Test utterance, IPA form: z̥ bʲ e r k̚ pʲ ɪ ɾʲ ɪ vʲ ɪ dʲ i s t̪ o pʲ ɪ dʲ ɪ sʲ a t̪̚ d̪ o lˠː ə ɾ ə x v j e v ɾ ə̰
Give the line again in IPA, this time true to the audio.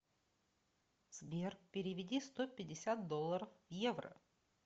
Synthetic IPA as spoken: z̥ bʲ e r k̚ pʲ ɪ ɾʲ ɪ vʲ ɪ dʲ i s t̪ o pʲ ɪ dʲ ɪ sʲ a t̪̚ d̪ o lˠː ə ɾ ə f v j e v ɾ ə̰